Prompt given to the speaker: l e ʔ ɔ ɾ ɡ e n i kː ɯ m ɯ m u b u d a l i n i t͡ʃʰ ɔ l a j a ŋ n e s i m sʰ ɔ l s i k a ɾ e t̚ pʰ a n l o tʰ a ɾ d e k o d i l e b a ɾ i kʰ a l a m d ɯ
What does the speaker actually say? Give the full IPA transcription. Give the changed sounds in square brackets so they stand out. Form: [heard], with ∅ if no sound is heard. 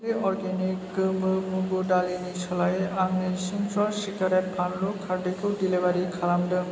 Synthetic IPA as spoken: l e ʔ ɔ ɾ ɡ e n i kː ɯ m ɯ m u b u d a l i n i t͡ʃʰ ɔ l a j a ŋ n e s i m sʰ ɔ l s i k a ɾ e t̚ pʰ a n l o [kʰ] a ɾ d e k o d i l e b a ɾ i kʰ a l a m d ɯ